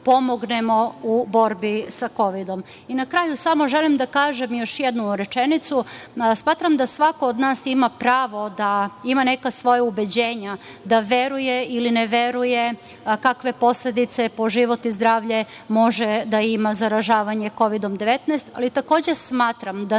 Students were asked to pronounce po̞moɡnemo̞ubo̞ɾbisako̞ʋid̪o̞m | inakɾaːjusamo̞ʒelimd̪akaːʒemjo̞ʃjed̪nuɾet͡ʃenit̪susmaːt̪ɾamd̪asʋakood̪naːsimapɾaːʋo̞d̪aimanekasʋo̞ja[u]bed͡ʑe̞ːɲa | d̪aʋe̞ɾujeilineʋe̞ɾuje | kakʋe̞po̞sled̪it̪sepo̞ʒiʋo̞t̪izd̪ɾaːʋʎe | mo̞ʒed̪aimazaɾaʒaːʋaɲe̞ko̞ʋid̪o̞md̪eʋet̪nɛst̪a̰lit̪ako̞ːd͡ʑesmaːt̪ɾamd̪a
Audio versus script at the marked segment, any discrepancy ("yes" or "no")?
no